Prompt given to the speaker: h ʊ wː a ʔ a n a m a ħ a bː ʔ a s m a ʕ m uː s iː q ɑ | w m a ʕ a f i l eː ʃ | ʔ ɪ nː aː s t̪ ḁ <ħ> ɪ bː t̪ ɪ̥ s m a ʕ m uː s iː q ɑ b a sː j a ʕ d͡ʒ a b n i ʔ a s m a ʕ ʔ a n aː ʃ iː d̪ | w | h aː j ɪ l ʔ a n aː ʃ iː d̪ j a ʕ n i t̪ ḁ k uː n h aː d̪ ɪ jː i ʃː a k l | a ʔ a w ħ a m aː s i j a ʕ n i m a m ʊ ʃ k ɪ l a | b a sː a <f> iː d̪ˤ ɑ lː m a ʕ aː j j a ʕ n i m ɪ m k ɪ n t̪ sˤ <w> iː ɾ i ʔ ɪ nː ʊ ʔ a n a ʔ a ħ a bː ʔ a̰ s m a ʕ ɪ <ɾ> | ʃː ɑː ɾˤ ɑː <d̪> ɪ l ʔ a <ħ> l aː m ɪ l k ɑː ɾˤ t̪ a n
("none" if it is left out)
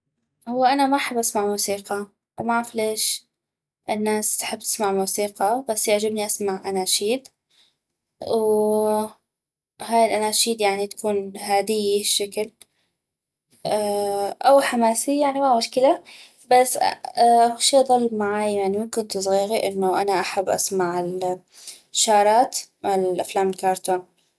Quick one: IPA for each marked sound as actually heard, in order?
ħ, ʃ, ɣ, l, t̪, f

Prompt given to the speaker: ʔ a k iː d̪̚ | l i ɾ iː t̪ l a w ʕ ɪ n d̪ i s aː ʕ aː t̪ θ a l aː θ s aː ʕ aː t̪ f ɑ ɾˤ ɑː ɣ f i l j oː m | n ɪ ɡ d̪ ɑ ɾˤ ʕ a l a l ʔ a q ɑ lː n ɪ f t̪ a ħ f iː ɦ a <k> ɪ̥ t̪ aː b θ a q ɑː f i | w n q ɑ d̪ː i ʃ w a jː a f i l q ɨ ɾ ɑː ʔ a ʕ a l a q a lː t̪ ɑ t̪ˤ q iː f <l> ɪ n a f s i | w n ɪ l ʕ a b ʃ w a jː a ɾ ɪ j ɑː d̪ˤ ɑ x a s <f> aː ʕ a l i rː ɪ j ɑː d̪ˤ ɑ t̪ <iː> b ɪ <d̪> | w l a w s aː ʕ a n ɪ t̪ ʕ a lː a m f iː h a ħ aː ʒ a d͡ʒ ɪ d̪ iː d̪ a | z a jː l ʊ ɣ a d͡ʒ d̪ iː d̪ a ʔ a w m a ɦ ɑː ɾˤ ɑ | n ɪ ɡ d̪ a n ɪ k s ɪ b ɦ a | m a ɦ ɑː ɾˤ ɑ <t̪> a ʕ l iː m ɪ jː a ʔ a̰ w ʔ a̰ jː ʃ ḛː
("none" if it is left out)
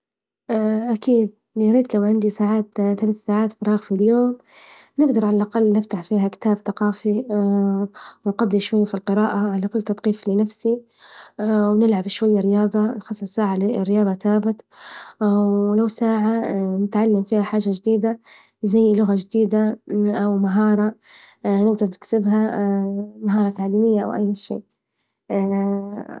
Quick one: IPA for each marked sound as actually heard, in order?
k, l, s, aː, t̪, t̪

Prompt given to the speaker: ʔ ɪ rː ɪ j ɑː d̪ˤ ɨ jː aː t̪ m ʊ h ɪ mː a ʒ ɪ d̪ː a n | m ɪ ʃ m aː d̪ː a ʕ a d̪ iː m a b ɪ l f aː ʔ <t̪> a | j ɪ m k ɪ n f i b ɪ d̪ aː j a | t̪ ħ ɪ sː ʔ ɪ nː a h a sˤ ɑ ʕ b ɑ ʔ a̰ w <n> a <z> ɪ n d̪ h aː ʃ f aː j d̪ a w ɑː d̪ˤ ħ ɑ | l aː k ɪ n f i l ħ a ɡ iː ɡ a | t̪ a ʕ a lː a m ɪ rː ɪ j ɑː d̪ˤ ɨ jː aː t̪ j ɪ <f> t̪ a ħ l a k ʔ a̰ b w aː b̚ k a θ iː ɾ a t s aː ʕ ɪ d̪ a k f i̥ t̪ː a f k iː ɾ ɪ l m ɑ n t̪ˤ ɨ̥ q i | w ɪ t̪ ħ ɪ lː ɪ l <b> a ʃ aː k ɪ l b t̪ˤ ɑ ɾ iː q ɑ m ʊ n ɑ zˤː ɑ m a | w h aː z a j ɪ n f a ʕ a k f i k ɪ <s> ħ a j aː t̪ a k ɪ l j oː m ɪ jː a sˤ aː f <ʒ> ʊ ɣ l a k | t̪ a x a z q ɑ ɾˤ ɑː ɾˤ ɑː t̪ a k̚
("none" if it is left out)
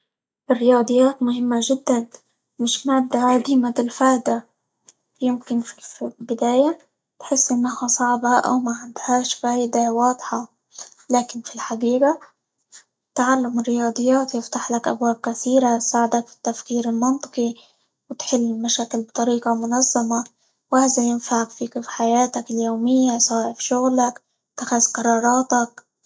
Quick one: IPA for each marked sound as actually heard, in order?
d̪, m, ʕ, f, m, f, ʃ

